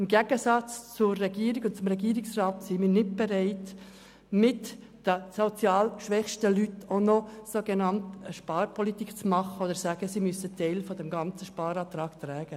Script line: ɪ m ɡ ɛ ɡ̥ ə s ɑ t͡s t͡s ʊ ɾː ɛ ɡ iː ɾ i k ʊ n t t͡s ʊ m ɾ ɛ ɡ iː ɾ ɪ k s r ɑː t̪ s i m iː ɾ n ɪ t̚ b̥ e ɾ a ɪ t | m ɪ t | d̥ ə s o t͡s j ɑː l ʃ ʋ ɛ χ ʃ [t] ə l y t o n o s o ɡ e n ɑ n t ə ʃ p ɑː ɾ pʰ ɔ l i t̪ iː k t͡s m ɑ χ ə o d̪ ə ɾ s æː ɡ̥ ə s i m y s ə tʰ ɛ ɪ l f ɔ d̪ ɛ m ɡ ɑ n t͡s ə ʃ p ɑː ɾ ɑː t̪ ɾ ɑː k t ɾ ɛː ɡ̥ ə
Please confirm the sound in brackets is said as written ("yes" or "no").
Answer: yes